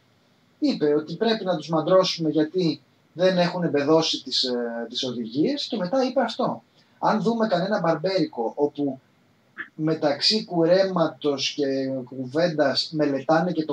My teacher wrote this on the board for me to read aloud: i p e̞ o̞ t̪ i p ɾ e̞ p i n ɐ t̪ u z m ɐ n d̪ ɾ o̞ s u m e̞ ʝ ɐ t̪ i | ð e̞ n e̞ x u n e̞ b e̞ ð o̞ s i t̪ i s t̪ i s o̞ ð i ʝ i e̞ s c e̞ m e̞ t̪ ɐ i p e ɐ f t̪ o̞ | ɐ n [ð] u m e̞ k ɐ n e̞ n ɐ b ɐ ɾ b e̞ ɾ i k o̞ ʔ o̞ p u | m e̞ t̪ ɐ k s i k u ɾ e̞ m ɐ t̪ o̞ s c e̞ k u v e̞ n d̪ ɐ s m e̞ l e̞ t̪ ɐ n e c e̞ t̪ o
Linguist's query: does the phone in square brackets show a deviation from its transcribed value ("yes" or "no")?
no